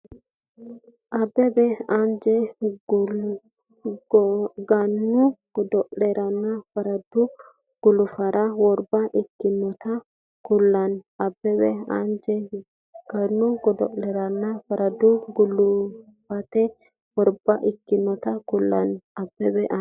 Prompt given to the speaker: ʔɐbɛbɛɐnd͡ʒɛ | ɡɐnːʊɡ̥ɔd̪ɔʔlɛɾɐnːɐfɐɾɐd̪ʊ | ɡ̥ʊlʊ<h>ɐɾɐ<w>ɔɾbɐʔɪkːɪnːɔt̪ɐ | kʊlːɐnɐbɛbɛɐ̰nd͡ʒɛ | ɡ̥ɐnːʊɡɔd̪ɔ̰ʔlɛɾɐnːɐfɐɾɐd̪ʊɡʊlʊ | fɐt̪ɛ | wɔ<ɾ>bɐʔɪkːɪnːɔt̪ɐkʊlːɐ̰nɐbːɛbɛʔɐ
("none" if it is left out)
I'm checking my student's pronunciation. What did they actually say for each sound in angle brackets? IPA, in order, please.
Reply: f, w, ɾ

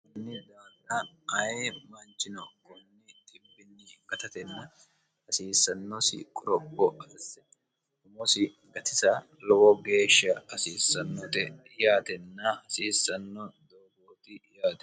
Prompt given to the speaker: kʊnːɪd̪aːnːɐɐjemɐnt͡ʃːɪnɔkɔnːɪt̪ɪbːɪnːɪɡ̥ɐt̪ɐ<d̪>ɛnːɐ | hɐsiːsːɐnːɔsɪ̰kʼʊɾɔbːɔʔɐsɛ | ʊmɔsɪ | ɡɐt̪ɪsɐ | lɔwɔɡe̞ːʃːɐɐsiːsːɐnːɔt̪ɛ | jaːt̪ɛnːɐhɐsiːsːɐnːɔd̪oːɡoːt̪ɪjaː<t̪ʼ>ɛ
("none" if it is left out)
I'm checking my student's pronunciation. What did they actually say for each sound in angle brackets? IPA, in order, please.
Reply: t̪, t̪

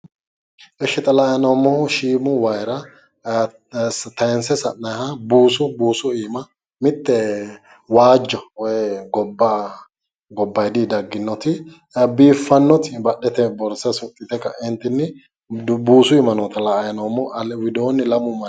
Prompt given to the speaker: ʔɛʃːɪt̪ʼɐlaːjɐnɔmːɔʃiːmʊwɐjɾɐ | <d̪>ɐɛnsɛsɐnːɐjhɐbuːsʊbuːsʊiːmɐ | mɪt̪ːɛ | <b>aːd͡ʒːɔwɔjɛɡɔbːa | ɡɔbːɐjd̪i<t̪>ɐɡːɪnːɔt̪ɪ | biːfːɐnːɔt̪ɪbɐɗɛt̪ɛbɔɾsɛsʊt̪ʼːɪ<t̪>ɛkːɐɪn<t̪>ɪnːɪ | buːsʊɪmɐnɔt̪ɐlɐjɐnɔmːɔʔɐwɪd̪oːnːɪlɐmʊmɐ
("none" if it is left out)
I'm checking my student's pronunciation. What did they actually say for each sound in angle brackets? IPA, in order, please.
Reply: t̪, w, d̪, t̪, t̪

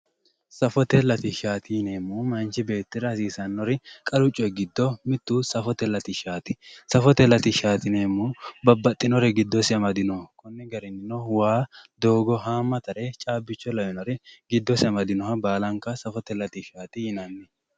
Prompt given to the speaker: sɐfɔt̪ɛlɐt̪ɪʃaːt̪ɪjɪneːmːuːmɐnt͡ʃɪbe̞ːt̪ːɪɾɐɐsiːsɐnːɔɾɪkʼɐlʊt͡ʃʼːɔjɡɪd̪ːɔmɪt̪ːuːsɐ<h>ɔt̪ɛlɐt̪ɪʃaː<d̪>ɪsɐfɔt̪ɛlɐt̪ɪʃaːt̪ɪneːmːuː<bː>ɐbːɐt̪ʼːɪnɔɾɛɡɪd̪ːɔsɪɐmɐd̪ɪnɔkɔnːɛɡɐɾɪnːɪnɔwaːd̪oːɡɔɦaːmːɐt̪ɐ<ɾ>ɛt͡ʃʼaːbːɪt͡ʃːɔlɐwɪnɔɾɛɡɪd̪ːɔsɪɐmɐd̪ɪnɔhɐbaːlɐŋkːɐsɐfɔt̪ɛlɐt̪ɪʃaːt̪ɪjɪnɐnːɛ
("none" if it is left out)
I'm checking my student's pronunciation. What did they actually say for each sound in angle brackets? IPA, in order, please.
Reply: f, t̪, b, ɾ

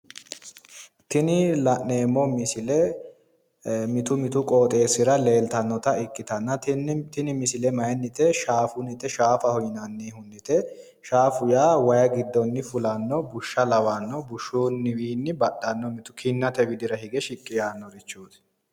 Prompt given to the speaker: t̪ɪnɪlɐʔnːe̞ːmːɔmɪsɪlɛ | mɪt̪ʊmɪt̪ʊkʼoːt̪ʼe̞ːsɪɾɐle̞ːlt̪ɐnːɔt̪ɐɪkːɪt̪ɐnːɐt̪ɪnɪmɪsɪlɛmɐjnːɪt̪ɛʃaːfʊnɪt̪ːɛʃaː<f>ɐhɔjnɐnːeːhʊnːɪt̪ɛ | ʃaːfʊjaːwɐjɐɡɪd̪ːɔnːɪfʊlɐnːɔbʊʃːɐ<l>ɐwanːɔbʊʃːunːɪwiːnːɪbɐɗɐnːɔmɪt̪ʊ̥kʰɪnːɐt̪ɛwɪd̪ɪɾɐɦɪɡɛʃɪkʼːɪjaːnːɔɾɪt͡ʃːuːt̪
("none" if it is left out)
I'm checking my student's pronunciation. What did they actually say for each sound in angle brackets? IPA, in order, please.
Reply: f, l

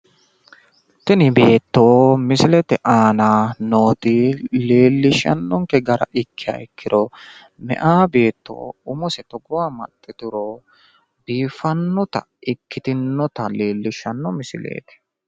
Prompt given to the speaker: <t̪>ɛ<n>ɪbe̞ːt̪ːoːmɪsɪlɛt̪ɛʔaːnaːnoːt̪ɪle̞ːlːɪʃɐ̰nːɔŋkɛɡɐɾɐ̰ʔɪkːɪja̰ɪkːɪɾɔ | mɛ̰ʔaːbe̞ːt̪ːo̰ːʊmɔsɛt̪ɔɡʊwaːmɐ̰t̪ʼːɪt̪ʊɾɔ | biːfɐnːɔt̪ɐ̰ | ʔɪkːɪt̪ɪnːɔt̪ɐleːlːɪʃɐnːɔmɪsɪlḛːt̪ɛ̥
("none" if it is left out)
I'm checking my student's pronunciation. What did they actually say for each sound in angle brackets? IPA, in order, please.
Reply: t̪, n

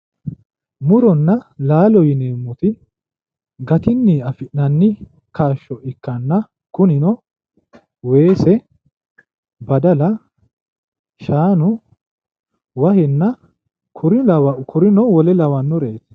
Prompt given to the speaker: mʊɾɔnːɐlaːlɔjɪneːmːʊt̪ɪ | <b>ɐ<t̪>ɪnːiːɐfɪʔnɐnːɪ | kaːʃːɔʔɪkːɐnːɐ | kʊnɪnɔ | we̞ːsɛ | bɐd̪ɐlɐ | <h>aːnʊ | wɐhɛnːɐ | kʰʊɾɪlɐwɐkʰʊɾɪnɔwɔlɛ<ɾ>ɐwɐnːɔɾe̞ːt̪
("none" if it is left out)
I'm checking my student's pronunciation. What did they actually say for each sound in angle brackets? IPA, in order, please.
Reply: ɡ, t̪, ʃ, l

